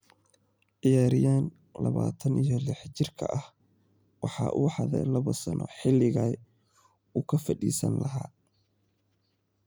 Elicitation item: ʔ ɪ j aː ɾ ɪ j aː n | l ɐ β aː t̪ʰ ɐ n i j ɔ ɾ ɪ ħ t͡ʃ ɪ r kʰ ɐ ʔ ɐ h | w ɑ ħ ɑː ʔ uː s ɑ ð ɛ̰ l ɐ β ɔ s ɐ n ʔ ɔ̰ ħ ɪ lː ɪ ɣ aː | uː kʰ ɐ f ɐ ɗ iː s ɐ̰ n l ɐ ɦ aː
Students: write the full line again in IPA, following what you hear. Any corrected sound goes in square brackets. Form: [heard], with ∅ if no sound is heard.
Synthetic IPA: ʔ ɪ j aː ɾ ɪ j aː n | l ɐ β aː t̪ʰ ɐ n i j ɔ [l] ɪ ħ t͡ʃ ɪ r kʰ ɐ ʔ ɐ h | w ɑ ħ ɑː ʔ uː [ħ] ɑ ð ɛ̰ l ɐ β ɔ s ɐ n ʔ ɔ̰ ħ ɪ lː ɪ ɣ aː | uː kʰ ɐ f ɐ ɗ iː s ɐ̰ n l ɐ ɦ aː